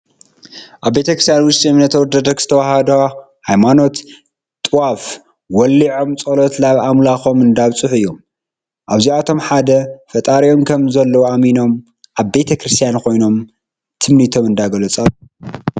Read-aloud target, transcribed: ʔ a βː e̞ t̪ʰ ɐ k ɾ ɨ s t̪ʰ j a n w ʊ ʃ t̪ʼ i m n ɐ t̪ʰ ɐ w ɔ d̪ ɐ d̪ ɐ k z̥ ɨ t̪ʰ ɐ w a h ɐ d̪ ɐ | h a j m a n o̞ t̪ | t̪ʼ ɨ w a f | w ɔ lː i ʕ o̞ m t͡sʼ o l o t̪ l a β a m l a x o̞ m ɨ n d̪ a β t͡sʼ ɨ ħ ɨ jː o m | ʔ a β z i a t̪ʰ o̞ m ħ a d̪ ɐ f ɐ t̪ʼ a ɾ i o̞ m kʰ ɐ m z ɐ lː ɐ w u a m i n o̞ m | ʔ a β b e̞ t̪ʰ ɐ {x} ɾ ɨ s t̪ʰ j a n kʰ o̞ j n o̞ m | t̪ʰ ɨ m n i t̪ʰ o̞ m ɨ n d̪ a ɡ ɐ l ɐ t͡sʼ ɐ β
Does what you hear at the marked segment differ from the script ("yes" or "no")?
yes